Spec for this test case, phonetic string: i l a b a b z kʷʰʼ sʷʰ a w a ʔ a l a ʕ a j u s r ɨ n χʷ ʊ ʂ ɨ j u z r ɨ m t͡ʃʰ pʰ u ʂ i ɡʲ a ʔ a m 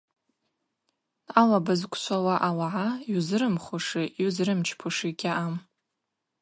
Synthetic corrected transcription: a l a b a z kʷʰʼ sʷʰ a w a ʔ a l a ʕ a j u z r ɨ m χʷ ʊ ʂ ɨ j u z r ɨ m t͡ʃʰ pʰ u ʂ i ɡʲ a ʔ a m